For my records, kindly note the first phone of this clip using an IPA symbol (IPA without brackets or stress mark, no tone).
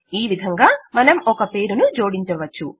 iː